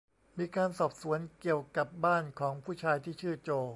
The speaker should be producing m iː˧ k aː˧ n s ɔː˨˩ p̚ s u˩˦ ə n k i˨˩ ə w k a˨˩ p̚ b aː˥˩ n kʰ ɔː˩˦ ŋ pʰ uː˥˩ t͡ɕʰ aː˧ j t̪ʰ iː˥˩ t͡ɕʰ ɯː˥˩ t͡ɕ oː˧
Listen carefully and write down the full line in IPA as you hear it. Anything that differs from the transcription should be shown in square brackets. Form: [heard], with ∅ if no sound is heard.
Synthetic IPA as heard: m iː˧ k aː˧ n s ɔː˨˩ p̚ s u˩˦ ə n k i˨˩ ə w k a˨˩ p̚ b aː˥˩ n kʰ ɔː˩˦ ŋ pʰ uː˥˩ t͡ɕʰ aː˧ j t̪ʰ iː˥˩ t͡ɕʰ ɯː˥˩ t͡ɕ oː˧